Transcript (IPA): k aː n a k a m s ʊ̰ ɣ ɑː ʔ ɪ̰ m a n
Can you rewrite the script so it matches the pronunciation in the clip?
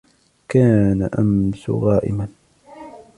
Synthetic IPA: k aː n a ʔ a m s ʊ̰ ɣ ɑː ʔ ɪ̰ m a n